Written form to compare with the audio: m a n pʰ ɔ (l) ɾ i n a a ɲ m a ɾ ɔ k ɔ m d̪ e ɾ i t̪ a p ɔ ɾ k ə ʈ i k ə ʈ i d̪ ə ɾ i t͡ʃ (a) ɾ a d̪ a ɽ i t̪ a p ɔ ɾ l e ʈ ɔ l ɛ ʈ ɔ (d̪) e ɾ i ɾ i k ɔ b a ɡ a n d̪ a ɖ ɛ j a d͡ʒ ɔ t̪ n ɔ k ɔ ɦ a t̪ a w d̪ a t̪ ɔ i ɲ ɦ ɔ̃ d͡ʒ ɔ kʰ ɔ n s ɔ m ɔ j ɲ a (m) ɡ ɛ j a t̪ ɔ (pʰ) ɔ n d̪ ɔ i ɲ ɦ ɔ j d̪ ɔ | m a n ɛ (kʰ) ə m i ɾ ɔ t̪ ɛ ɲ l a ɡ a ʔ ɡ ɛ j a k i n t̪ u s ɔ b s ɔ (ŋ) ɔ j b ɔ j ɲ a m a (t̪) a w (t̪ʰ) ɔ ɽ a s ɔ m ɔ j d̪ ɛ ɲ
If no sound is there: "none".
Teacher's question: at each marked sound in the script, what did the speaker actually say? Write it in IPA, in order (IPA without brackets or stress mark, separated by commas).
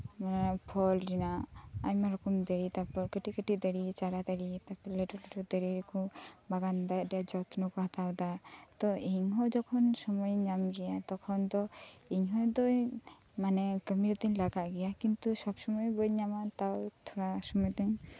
l, a, d̪, m, kʰ, k, m, t̪, t̪ʰ